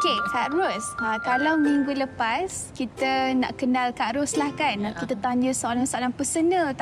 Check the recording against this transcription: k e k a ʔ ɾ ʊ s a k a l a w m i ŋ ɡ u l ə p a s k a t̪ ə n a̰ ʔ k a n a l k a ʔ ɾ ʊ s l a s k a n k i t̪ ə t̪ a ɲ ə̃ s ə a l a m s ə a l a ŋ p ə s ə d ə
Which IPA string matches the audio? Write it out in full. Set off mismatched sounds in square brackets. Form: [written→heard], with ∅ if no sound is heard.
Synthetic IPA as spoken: k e k a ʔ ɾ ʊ s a k a l a w m i ŋ ɡ u l ə p a s k [a→i] t̪ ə n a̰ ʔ k [a→ə] n a l k a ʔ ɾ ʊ s l a [s→h] k a n k i t̪ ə t̪ a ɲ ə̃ s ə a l a [m→ŋ] s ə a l a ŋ p ə s ə [d→n] ə